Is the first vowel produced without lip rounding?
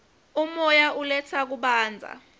no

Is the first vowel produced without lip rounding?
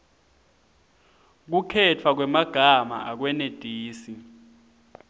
no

